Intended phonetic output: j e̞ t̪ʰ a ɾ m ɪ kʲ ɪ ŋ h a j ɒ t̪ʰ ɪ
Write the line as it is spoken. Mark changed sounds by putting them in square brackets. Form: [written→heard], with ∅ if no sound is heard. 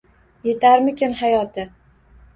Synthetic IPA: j e̞ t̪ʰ a ɾ m ɪ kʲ ɪ [ŋ→m] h a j ɒ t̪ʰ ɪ